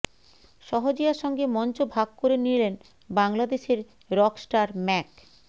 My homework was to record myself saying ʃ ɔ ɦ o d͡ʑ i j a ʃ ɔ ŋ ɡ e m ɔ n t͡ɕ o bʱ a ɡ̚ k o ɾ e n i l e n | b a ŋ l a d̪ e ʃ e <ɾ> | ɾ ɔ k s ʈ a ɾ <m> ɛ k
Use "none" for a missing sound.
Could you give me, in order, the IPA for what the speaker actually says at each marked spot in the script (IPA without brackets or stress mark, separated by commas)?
ɾ, m